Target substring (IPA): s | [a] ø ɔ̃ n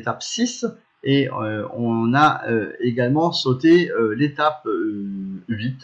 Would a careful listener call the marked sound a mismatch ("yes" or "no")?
yes